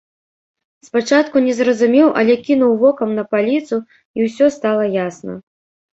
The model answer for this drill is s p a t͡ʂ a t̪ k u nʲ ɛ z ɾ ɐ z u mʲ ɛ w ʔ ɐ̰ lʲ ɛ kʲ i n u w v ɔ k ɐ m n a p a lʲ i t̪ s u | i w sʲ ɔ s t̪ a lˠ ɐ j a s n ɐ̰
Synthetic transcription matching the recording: s p a t͡ʂ a t̪ k u nʲ ɛ z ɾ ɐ z u mʲ ɛ w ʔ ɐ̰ lʲ ɛ kʲ i n u w v ɔ k ɐ m n ɐ p a lʲ i t̪ s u | i w sʲ ɔ s t̪ a lˠ ɐ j a s n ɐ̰